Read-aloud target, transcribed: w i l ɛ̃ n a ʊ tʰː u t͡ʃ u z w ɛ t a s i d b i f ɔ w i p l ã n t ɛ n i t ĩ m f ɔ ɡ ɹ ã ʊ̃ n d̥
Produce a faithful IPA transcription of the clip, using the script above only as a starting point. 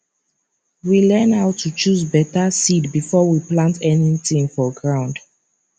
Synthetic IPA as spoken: w i l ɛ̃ n a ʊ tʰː u t͡ʃ u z b ɛ t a s i d b i f ɔ w i p l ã n t ɛ n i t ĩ ŋ f ɔ ɡ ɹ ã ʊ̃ n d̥